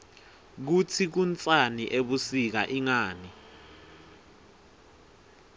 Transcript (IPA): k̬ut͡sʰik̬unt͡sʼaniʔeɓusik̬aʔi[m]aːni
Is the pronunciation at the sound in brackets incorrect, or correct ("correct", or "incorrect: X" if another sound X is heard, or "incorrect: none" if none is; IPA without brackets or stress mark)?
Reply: incorrect: ŋ